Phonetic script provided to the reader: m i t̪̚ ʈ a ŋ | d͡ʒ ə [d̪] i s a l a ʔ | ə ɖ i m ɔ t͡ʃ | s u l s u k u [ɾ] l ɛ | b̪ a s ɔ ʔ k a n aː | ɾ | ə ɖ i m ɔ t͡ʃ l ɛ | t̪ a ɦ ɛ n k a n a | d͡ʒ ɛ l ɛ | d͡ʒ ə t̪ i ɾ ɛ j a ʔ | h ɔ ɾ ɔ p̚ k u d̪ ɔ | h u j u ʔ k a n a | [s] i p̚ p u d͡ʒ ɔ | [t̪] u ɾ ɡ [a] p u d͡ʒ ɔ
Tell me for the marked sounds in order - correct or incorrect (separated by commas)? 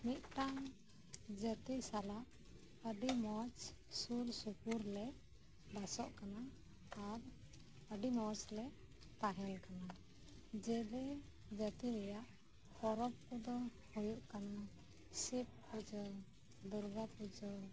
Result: incorrect, correct, correct, incorrect, correct